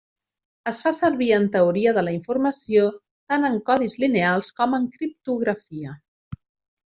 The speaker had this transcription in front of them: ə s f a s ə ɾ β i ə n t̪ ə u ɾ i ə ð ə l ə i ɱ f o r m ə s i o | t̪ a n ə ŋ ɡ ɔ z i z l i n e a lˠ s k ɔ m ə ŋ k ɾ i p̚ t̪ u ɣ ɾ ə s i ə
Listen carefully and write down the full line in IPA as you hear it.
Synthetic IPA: ə s f a s ə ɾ β i ə n t̪ ə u ɾ i ə ð ə l ə i ɱ f u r m ə s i o | t̪ a n ə ŋ k ɔ ð i z l i n e a lˠ s k ɔ m ə ŋ k ɾ i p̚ t̪ u ɣ ɾ ə f i ə